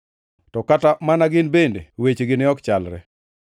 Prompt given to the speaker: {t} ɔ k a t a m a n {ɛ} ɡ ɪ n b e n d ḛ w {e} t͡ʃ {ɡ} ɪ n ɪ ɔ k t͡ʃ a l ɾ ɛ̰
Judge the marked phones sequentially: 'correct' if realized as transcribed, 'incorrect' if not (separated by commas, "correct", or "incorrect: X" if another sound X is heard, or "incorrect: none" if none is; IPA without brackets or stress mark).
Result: correct, incorrect: a, correct, correct